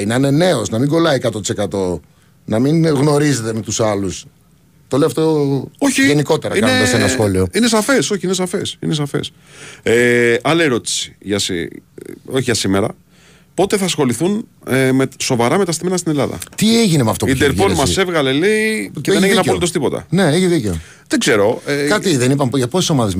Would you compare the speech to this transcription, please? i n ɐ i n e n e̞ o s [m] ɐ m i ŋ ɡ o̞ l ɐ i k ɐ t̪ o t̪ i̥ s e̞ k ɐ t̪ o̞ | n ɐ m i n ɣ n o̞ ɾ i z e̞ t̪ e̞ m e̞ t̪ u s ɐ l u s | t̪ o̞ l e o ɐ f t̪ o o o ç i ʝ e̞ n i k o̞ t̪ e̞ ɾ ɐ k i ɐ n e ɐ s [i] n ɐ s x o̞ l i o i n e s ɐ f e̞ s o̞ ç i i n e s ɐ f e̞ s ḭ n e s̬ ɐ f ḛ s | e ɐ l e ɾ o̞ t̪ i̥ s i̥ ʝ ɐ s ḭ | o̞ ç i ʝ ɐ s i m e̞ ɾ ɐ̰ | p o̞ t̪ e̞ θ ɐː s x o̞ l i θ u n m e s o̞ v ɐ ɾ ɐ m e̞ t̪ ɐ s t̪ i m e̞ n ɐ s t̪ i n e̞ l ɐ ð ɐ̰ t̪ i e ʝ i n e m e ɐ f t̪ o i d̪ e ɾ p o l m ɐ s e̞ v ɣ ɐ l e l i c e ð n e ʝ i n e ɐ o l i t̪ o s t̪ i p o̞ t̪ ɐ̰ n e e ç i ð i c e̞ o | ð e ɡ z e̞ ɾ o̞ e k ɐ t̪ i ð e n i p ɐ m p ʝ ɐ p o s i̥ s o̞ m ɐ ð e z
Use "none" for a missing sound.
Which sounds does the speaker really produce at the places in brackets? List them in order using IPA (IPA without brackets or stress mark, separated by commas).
n, e